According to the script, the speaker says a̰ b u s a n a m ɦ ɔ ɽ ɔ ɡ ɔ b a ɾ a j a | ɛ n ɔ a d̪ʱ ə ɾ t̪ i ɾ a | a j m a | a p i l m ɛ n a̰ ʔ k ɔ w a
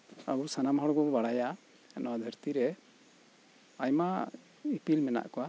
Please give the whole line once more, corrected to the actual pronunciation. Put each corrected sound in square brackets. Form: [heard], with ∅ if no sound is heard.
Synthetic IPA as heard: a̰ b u s a n a m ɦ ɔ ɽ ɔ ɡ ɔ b a [ɽ] a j a | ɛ n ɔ a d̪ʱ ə ɾ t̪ i ɾ [ɛ] | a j m a | [i] p i l m ɛ n a̰ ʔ k ɔ w a